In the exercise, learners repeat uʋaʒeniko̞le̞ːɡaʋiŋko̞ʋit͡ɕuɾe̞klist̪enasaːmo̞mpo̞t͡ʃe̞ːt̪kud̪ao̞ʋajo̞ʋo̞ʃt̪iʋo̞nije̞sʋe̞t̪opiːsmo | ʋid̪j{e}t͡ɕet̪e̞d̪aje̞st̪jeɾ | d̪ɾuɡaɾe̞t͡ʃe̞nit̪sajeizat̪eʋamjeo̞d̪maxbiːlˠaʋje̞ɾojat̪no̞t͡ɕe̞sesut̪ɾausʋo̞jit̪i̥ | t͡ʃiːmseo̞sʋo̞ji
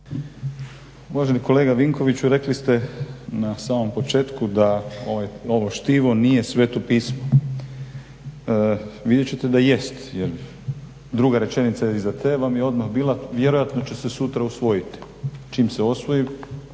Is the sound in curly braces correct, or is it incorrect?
correct